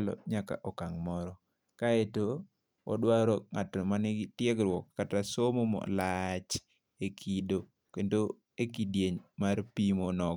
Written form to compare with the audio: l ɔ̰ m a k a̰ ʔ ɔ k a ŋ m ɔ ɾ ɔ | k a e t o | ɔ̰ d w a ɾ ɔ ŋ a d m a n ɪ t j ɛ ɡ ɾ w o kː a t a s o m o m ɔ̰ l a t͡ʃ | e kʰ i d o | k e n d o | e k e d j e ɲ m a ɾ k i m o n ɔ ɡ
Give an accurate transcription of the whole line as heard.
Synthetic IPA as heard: l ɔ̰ ɲ a k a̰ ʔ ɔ k a ŋ m ɔ ɾ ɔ | k a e t o | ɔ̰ d w a ɾ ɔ ŋ a t m a n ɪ t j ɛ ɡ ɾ w ɔ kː a t a s o m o m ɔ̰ l a t͡ʃ | e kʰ i d o | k e n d o | e k i d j e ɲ m a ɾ p i m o n ɔ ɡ